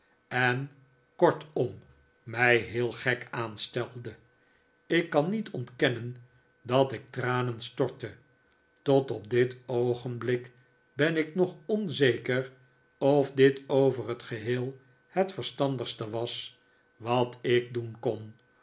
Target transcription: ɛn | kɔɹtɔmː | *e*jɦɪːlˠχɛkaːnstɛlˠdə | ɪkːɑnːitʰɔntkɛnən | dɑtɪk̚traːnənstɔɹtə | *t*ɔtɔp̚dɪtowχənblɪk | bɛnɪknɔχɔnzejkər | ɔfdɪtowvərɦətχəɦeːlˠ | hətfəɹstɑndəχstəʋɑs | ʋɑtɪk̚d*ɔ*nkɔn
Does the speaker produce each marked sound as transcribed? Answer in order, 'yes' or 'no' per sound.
no, yes, no

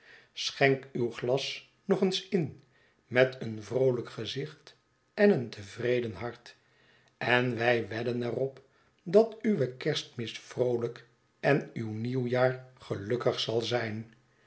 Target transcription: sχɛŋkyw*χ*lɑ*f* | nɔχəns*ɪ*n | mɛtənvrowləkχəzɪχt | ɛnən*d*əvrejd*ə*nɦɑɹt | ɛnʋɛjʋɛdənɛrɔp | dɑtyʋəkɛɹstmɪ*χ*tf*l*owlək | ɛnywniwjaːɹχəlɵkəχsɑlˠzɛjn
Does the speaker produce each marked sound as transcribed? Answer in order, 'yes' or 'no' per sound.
yes, no, yes, no, yes, no, no

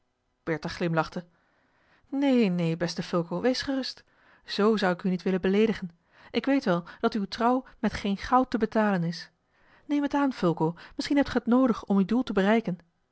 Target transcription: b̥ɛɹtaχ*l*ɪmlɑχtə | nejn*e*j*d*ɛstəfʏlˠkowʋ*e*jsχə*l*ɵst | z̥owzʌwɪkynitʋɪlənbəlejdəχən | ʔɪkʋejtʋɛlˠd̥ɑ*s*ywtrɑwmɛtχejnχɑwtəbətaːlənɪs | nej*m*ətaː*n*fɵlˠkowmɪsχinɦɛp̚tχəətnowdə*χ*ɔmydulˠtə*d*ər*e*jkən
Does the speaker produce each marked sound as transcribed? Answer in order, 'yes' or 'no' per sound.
yes, yes, no, yes, no, no, yes, yes, yes, no, no

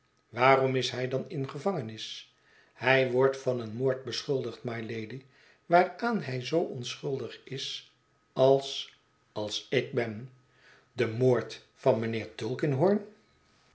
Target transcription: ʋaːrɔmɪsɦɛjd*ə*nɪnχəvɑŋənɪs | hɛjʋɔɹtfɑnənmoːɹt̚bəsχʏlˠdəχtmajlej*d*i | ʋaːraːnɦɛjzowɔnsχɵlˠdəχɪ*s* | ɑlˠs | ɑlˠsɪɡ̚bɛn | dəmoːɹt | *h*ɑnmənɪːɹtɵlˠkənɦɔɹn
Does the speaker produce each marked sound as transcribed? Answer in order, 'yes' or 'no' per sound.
no, yes, yes, no

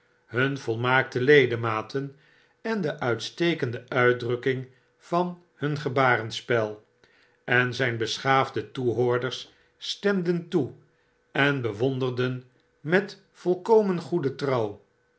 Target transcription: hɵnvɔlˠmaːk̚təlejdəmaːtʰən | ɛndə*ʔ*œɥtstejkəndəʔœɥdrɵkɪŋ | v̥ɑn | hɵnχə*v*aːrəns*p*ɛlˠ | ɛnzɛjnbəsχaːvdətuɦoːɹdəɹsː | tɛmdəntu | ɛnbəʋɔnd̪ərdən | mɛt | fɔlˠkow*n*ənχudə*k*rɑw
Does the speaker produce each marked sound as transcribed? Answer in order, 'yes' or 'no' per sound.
yes, no, yes, no, no

